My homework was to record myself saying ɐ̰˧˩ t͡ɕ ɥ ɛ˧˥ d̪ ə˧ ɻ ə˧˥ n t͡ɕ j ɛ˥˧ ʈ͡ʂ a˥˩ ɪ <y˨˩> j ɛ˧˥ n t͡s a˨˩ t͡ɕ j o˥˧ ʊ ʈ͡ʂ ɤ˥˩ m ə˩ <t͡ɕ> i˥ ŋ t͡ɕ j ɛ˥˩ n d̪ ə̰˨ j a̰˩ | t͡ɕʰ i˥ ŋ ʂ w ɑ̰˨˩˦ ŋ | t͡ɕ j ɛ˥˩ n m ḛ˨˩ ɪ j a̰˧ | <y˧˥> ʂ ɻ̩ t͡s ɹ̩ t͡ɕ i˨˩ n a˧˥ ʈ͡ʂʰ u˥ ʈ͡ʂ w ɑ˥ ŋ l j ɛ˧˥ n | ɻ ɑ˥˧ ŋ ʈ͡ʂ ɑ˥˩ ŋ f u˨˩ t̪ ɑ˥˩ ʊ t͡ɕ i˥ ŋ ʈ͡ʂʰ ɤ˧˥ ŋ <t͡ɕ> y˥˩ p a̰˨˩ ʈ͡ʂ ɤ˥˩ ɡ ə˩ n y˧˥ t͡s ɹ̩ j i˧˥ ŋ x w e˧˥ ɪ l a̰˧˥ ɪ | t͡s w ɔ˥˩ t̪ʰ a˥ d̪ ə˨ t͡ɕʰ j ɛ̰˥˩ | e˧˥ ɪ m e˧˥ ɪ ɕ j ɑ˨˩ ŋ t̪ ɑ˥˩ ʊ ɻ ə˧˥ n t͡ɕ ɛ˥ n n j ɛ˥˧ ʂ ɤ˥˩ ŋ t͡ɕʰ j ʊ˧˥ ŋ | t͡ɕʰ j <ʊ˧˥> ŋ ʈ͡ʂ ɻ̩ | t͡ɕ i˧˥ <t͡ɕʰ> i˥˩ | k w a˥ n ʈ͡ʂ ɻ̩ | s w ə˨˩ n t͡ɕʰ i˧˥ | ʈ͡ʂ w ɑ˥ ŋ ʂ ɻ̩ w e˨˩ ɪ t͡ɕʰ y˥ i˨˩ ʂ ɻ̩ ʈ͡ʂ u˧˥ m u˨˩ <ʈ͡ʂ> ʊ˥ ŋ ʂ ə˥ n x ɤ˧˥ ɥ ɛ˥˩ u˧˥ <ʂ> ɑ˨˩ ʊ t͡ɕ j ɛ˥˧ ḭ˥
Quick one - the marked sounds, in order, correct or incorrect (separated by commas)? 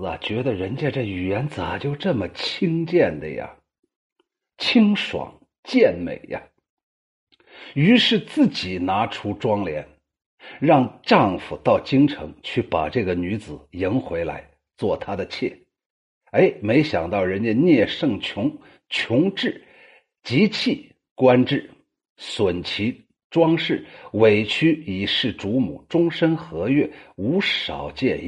correct, incorrect, correct, incorrect, correct, correct, correct, correct